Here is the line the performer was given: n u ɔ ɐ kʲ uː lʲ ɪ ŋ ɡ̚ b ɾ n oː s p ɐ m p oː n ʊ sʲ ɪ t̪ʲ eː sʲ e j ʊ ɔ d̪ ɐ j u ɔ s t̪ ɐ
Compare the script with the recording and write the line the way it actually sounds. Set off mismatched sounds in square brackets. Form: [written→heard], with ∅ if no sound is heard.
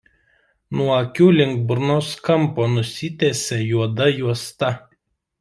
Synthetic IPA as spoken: n u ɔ ɐ kʲ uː lʲ ɪ ŋ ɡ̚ b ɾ n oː s [p→k] ɐ m p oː n ʊ sʲ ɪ t̪ʲ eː sʲ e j [ʊ→u] ɔ d̪ ɐ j u ɔ s t̪ ɐ

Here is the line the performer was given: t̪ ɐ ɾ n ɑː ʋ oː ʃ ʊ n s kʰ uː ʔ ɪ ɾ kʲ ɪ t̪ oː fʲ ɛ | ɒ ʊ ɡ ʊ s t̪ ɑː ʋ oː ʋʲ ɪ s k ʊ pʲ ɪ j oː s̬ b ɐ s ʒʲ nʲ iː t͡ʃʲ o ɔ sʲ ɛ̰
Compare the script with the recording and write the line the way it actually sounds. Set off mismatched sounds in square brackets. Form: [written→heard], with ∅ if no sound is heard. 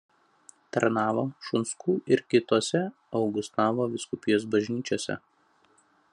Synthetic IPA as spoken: t̪ ɐ ɾ n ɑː ʋ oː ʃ ʊ n s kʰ uː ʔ ɪ ɾ kʲ ɪ t̪ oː [fʲ→sʲ] ɛ | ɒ ʊ ɡ ʊ s t̪ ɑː ʋ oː ʋʲ ɪ s k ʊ pʲ ɪ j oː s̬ b ɐ [s→∅] ʒʲ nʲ iː t͡ʃʲ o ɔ sʲ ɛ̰

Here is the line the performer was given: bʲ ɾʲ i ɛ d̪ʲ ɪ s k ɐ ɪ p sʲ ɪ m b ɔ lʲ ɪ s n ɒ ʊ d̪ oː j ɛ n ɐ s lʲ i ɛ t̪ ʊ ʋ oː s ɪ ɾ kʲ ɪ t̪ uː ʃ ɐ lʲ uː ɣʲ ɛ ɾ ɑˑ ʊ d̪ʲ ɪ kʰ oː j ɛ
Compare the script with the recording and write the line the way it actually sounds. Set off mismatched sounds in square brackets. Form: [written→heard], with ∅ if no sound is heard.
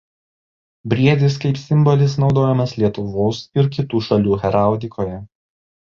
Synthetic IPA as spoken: bʲ ɾʲ i ɛ d̪ʲ ɪ s k ɐ ɪ p sʲ ɪ m b ɔ lʲ ɪ s n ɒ ʊ d̪ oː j ɛ [n→m] ɐ s lʲ i ɛ t̪ ʊ ʋ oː s ɪ ɾ kʲ ɪ t̪ uː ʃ ɐ lʲ uː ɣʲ ɛ ɾ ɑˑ ʊ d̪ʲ ɪ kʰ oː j ɛ

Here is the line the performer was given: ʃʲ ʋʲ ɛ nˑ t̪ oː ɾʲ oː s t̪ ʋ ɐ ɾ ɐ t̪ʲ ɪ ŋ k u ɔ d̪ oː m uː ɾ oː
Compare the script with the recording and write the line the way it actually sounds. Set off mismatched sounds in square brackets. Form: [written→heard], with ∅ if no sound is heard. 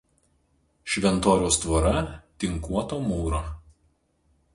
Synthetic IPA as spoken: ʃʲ ʋʲ ɛ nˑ t̪ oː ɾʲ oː s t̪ ʋ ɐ ɾ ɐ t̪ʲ ɪ ŋ k u ɔ [d̪→t̪] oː m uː ɾ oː

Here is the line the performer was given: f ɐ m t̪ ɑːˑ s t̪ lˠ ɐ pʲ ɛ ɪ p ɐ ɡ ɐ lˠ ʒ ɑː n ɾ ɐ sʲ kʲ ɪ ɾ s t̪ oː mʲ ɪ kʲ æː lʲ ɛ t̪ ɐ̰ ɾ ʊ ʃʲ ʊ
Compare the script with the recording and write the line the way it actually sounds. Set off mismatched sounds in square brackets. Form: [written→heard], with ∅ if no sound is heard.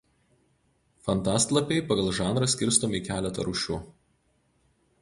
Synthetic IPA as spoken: f ɐ [m→n] t̪ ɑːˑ s t̪ lˠ ɐ pʲ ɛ ɪ p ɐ ɡ ɐ lˠ ʒ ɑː n ɾ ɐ sʲ kʲ ɪ ɾ s t̪ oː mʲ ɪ kʲ æː lʲ ɛ t̪ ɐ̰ ɾ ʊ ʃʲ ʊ

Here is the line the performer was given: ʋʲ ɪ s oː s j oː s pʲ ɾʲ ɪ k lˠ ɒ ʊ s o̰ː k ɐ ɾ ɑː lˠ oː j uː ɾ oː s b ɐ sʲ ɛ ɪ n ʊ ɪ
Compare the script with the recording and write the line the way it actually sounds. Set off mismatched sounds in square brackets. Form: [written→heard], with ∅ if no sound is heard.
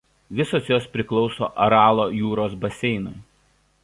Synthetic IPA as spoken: ʋʲ ɪ s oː s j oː s pʲ ɾʲ ɪ k lˠ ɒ ʊ s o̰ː [k→ʔ] ɐ ɾ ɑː lˠ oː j uː ɾ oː s b ɐ sʲ ɛ ɪ n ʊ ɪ

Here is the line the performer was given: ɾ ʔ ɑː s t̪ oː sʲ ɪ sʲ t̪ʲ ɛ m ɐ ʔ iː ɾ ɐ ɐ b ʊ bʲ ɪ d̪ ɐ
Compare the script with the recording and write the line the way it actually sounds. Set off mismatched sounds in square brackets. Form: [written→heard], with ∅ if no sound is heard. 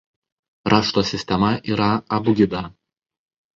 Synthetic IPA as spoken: ɾ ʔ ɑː [s→ʃ] t̪ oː sʲ ɪ sʲ t̪ʲ ɛ m ɐ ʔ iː ɾ ɐ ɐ b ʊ [bʲ→ɡʲ] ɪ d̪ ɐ

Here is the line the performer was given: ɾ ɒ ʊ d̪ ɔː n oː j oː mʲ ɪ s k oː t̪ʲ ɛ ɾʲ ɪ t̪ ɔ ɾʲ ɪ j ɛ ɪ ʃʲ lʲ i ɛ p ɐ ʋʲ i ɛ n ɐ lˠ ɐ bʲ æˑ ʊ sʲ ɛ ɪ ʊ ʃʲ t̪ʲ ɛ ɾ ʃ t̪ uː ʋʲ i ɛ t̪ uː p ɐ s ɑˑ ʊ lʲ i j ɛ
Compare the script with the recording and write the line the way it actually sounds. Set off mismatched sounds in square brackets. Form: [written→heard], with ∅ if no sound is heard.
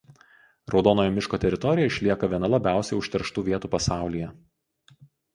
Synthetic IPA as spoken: ɾ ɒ ʊ d̪ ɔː n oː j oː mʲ ɪ [s→ʃ] k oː t̪ʲ ɛ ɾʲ ɪ t̪ ɔ ɾʲ ɪ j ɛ ɪ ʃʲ lʲ i ɛ [p→k] ɐ ʋʲ i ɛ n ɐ lˠ ɐ bʲ æˑ ʊ sʲ ɛ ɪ ʊ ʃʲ t̪ʲ ɛ ɾ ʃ t̪ uː ʋʲ i ɛ t̪ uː p ɐ s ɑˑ ʊ lʲ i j ɛ

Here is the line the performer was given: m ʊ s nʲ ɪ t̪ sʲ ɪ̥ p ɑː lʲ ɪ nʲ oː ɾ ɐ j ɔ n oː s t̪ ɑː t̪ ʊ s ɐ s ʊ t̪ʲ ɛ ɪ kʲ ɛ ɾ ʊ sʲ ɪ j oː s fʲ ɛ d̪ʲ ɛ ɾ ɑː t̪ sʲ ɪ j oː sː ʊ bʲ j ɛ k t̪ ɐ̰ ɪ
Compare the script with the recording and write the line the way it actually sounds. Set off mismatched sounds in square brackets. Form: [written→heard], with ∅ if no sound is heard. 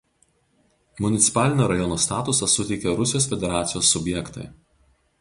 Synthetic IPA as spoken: m ʊ [s→∅] nʲ ɪ t̪ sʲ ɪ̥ p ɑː lʲ ɪ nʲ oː ɾ ɐ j ɔ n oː s t̪ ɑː t̪ ʊ s ɐ s ʊ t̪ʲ ɛ ɪ kʲ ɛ ɾ ʊ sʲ ɪ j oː s fʲ ɛ d̪ʲ ɛ ɾ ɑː t̪ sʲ ɪ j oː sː ʊ bʲ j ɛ k t̪ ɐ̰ ɪ

